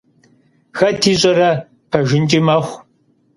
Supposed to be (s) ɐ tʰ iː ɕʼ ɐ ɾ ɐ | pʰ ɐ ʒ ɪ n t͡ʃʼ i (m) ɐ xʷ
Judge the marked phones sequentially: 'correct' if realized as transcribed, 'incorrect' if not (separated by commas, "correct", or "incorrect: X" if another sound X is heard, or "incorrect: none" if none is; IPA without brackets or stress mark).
incorrect: x, correct